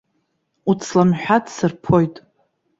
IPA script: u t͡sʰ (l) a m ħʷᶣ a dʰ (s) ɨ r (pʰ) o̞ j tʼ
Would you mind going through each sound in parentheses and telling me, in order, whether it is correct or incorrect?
correct, correct, correct

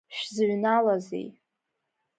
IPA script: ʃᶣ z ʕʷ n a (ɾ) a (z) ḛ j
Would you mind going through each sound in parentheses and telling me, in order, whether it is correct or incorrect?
incorrect, correct

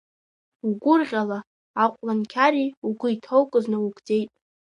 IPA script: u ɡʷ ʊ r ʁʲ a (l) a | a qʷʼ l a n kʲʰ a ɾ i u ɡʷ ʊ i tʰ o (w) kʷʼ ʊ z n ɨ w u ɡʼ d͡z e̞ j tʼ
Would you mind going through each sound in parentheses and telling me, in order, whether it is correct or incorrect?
correct, correct

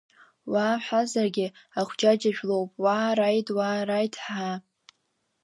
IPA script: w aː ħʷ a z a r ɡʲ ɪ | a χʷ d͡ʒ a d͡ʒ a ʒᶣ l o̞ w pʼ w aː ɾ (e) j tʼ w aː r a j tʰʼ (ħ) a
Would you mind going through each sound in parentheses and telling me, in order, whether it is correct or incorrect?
incorrect, correct

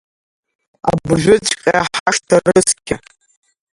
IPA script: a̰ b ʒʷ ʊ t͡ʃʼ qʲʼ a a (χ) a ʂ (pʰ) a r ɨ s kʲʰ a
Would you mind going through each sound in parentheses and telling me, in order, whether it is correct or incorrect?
incorrect, incorrect

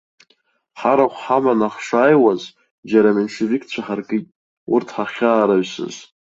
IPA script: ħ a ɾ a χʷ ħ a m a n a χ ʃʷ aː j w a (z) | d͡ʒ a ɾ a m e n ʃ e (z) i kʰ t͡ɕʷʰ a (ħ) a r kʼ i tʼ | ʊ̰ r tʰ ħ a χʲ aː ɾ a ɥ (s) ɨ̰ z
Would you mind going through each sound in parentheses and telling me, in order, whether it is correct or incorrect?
correct, incorrect, correct, correct

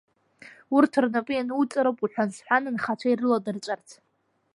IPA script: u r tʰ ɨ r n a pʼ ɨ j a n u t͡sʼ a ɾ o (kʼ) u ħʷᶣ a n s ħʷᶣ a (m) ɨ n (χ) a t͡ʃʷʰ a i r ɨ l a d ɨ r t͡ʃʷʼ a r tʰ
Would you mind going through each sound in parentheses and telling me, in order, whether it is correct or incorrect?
incorrect, incorrect, correct

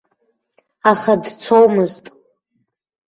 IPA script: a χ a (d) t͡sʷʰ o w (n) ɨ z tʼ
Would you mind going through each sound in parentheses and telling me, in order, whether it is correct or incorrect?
correct, incorrect

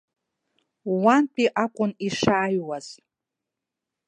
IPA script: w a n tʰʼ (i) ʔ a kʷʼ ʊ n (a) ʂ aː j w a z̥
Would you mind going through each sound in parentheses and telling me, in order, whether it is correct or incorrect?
correct, incorrect

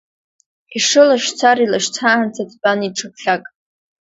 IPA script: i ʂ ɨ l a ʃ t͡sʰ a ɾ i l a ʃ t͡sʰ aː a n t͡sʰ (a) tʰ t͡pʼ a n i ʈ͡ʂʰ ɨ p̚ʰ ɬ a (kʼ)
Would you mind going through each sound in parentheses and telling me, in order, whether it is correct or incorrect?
correct, correct

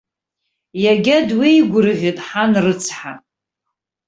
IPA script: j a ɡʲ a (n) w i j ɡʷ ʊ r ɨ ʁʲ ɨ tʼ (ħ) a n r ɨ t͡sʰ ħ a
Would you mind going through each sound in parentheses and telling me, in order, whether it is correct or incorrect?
incorrect, correct

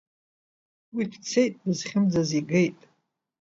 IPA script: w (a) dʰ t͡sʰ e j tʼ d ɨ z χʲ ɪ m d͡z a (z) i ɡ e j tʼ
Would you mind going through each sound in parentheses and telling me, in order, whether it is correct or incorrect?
incorrect, correct

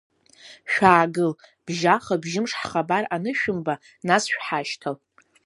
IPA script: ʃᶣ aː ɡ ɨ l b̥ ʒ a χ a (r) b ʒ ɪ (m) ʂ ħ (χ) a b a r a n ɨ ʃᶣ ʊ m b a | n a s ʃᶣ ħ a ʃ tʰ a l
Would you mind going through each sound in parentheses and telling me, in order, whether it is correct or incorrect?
incorrect, correct, correct

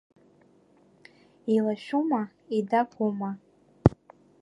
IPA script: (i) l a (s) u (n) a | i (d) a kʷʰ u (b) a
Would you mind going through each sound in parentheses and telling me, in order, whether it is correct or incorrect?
correct, incorrect, incorrect, correct, incorrect

